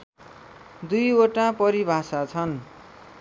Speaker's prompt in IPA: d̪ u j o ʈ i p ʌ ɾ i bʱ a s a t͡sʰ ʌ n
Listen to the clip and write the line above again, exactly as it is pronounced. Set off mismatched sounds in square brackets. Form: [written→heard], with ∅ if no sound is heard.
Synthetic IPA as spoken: d̪ u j o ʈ [i→a] p ʌ ɾ i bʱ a s a t͡sʰ ʌ n